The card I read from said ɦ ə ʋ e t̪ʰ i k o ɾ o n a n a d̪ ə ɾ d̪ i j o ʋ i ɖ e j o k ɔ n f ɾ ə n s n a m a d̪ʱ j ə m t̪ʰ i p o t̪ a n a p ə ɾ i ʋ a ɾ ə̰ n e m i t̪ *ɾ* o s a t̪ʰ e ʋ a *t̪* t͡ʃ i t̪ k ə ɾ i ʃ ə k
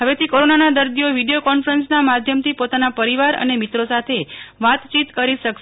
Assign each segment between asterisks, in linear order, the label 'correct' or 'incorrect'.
correct, correct

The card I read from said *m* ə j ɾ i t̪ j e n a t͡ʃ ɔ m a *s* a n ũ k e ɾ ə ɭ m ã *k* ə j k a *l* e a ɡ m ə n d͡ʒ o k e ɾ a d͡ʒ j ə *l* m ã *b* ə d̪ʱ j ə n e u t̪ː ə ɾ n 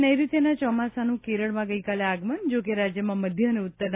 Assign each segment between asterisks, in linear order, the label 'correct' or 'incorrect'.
incorrect: n, correct, incorrect: ɡ, correct, incorrect: none, incorrect: m

